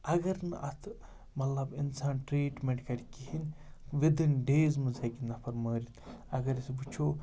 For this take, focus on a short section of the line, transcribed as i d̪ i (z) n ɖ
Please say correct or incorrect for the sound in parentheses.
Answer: incorrect